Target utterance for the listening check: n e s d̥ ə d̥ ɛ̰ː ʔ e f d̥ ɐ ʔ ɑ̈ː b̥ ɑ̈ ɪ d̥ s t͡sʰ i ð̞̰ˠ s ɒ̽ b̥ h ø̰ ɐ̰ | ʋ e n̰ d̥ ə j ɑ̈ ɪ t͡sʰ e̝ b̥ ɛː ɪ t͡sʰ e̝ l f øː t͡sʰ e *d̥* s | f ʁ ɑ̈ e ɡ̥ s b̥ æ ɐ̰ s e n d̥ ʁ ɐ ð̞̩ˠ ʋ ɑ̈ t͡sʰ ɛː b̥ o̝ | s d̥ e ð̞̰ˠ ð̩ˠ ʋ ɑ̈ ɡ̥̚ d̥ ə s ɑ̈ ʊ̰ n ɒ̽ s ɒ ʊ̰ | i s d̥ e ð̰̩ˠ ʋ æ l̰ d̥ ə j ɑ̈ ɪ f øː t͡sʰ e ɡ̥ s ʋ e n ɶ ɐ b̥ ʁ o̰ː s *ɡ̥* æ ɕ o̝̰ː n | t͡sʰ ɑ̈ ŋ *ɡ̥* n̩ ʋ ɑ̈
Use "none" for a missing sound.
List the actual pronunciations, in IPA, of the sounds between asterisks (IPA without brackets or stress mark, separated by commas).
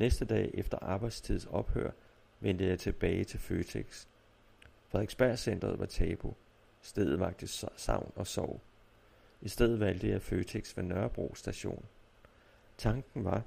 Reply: ɡ̥, d̥, ɡ̥